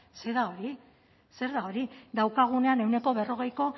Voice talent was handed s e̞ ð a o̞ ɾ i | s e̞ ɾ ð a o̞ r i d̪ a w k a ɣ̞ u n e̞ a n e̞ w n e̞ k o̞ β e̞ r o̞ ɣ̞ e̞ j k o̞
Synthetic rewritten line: s e̞ ð a o̞ ɾ i | s e̞ ɾ ð a o̞ ɾ i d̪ a w k a ɣ̞ u n e̞ a n e̞ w n e̞ k o̞ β e̞ r o̞ ɣ̞ e̞ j k o̞